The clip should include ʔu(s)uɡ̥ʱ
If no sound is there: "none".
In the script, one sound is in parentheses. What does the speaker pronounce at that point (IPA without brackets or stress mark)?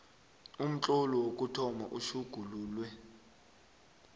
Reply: ʃ